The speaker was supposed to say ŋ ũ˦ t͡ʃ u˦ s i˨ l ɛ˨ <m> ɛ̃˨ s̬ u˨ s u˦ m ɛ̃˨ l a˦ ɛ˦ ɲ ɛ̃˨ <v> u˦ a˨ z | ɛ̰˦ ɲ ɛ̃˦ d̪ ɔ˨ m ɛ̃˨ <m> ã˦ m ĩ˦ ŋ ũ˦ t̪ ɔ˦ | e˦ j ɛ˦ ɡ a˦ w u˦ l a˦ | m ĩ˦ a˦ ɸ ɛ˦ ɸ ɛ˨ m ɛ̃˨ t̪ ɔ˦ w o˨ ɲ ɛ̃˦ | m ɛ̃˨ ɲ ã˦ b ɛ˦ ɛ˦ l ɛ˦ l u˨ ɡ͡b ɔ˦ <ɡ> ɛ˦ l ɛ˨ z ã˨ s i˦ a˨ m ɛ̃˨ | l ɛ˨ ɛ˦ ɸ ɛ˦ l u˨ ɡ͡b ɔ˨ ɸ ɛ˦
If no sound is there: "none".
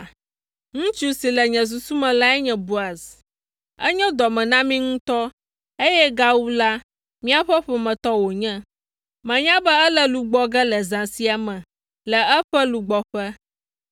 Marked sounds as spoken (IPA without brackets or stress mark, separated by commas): ɲ, b, n, ɡ